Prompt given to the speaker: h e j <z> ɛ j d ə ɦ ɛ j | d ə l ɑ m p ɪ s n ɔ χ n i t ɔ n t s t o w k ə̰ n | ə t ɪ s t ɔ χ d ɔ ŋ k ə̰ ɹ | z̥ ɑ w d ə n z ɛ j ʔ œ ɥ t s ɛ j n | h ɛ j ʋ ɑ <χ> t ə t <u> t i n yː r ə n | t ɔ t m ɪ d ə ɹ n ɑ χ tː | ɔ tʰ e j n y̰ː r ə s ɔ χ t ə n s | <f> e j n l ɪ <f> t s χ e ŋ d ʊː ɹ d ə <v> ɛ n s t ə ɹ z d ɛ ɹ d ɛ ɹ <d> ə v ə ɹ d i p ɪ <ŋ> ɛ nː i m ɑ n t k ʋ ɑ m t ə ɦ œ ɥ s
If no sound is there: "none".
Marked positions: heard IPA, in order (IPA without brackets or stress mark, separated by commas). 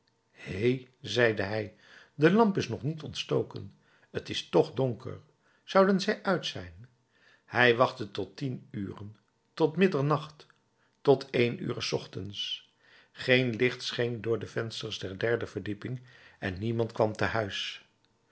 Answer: z, χ, ɔ, χ, χ, v, d, ŋ